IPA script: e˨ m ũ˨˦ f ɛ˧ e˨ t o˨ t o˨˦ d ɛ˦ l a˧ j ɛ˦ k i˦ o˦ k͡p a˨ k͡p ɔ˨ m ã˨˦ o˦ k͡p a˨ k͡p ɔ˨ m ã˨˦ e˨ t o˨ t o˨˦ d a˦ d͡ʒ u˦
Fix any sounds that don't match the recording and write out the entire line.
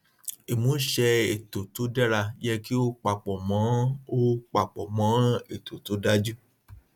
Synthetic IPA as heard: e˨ m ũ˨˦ ʃ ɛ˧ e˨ t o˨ t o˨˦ d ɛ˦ ɾ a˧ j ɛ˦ k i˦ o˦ k͡p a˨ k͡p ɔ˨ m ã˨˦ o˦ k͡p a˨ k͡p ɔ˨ m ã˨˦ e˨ t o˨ t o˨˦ d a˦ d͡ʒ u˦